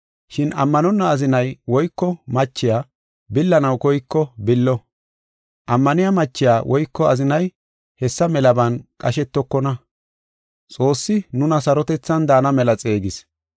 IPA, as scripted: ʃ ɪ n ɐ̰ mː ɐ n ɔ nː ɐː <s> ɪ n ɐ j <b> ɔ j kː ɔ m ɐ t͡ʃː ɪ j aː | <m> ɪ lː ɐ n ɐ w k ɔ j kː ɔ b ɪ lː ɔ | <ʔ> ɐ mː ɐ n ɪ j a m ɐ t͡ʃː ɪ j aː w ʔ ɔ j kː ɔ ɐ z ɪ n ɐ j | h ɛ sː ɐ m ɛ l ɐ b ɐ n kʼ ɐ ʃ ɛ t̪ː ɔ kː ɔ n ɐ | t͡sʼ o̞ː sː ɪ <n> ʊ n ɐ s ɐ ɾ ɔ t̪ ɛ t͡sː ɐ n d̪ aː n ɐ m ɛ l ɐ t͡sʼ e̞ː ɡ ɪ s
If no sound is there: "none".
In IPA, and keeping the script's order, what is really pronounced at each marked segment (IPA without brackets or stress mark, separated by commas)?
z, w, b, ʔ, n